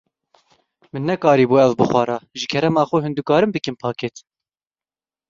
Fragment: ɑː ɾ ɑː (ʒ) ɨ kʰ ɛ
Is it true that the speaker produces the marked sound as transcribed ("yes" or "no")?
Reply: yes